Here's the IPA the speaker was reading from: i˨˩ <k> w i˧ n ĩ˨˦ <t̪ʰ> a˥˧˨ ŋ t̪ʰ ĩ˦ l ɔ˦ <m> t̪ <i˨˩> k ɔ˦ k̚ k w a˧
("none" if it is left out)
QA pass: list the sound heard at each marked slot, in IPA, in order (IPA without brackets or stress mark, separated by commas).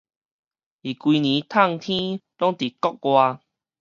k, t̪ʰ, ŋ, i˨˩